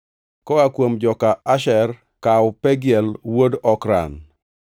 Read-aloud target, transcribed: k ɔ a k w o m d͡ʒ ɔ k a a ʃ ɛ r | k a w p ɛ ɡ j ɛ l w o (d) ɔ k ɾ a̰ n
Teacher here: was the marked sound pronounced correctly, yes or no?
yes